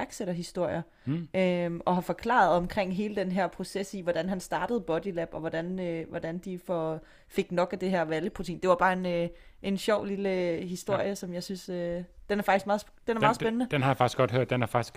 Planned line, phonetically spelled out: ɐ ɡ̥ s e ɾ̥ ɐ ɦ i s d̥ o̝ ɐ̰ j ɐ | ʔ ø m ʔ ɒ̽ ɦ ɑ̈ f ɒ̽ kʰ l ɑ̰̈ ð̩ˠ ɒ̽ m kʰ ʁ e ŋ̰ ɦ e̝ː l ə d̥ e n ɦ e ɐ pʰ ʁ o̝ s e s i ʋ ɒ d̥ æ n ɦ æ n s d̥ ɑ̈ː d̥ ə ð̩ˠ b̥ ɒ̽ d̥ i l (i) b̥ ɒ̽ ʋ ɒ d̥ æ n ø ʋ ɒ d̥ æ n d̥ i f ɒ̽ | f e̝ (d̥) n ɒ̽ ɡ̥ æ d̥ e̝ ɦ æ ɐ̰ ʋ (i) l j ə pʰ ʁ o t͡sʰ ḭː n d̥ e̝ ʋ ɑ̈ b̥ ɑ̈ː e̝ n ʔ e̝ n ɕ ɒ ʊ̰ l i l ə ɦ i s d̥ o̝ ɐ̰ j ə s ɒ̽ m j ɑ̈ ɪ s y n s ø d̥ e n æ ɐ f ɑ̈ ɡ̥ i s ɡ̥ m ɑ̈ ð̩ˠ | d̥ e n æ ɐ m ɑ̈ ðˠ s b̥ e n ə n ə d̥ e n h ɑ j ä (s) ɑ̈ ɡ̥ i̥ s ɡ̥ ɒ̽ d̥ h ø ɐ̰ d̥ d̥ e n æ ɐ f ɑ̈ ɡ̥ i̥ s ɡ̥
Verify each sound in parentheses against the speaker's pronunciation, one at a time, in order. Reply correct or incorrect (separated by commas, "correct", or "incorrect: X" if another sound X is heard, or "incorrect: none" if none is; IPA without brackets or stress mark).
incorrect: æ, incorrect: ɡ̥, incorrect: æ, incorrect: f